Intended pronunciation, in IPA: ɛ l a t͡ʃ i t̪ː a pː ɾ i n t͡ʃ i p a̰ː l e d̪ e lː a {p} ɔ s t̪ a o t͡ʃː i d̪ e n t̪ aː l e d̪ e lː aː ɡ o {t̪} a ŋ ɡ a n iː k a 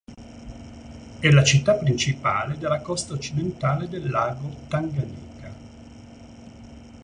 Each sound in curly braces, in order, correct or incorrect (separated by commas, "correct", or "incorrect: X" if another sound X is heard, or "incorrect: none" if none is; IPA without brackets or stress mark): incorrect: k, correct